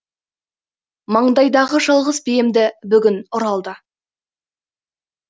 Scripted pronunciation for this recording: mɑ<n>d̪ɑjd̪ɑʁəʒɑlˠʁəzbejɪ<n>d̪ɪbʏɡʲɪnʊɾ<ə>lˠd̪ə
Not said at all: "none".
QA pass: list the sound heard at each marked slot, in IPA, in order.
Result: ɴ, m, ɑ

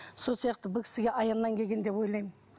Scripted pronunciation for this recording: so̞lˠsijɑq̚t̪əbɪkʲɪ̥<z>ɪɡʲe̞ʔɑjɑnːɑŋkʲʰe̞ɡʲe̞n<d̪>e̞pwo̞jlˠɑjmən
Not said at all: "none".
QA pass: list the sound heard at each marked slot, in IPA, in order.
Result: s, d̪

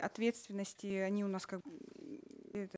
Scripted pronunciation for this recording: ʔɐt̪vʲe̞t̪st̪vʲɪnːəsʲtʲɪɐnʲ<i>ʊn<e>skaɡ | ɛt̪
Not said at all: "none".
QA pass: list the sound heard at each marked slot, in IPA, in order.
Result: i, a

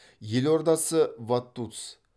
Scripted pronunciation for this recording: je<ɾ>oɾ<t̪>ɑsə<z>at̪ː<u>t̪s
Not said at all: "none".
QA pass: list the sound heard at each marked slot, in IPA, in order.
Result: l, d̪, v, u

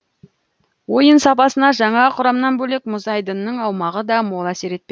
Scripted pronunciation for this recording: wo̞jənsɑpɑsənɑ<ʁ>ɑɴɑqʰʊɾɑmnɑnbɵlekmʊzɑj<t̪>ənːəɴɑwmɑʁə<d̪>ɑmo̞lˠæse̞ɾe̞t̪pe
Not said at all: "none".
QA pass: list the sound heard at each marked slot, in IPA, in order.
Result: ʒ, d̪, d̪

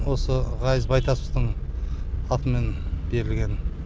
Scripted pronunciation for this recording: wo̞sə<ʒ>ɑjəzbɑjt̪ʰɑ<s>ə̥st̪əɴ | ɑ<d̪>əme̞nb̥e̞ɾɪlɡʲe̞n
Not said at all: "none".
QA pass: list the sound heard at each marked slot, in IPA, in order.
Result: ʁ, s, t̪

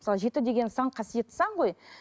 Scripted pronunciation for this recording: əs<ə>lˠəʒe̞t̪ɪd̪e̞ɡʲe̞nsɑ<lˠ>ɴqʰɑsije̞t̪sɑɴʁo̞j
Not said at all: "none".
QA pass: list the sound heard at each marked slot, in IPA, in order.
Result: ɑ, none

